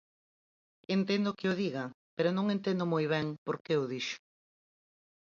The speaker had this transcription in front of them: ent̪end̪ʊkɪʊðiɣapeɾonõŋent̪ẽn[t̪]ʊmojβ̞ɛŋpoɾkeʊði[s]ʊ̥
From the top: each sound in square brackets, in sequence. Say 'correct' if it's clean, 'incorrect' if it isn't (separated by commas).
incorrect, incorrect